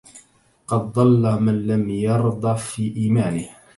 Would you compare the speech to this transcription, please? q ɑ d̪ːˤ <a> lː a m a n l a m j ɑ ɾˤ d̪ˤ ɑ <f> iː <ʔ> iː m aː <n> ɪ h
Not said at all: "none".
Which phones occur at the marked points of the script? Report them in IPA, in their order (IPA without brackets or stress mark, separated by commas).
ɑ, f, ʔ, n